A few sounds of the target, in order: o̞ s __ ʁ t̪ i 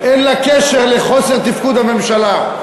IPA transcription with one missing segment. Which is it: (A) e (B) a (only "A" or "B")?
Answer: A